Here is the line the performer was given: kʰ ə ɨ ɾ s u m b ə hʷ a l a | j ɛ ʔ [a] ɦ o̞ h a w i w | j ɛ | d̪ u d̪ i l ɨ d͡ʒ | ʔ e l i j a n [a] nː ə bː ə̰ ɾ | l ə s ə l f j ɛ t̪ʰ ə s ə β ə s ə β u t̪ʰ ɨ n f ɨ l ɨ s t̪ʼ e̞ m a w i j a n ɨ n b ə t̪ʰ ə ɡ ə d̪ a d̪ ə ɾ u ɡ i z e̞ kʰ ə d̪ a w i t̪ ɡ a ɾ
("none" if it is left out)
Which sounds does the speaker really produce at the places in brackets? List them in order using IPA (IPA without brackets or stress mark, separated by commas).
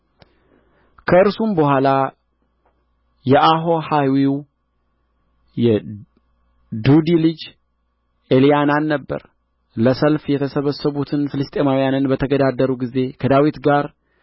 a, a